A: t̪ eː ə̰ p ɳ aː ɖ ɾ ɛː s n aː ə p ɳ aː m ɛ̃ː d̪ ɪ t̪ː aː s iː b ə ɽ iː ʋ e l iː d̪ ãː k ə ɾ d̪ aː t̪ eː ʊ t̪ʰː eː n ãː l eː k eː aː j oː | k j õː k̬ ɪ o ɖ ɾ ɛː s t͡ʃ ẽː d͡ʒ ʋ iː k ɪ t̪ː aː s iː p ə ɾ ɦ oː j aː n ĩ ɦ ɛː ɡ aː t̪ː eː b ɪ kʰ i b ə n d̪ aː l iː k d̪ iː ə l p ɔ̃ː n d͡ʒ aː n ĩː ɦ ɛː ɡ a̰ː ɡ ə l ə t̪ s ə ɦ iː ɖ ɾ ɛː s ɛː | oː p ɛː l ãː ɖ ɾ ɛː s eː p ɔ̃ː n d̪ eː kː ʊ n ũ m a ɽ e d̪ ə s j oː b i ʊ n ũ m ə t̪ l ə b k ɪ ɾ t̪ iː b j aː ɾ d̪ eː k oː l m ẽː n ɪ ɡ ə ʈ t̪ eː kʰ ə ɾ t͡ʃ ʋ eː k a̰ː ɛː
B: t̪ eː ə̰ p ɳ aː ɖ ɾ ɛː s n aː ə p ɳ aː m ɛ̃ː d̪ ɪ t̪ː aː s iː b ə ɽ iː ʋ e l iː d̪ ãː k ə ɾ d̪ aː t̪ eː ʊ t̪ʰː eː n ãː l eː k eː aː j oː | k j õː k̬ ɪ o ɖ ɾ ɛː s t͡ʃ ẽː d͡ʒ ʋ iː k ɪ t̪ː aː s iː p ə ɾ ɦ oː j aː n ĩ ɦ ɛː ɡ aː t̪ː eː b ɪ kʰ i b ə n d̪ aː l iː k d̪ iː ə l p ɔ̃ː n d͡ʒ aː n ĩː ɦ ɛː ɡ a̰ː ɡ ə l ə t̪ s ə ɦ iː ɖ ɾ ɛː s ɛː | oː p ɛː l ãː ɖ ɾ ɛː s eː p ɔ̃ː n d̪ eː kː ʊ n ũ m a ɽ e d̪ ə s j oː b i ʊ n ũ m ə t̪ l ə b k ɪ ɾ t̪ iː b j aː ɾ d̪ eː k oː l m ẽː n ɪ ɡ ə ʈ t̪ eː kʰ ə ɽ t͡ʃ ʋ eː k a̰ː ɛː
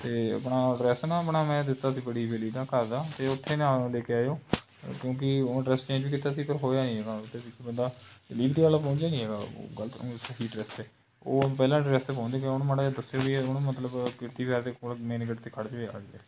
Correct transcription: B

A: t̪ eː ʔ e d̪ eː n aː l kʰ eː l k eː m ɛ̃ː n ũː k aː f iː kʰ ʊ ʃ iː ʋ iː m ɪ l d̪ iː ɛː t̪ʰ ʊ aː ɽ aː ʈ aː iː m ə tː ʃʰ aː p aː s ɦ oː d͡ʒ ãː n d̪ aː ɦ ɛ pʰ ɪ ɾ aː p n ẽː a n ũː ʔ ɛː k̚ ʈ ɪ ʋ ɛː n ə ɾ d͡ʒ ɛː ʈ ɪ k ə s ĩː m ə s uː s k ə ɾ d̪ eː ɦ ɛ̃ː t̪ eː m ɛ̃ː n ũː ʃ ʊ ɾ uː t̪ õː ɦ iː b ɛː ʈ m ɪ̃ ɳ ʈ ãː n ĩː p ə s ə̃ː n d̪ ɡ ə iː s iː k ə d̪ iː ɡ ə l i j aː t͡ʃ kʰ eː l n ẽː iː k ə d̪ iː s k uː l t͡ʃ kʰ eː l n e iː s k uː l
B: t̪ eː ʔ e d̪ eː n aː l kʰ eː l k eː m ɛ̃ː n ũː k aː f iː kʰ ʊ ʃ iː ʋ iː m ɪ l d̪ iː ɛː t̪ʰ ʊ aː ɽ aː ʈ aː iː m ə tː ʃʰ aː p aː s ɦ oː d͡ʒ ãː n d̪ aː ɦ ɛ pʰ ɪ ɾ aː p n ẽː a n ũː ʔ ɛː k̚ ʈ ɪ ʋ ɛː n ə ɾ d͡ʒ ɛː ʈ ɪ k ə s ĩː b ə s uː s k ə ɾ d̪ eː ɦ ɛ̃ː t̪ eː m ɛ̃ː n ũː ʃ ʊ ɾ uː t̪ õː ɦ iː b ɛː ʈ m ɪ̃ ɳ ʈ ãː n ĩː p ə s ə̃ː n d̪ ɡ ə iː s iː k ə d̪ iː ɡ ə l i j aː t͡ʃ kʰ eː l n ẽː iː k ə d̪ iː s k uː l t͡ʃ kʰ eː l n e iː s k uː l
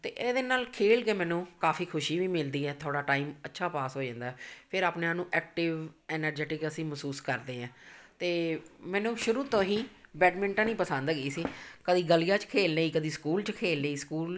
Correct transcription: A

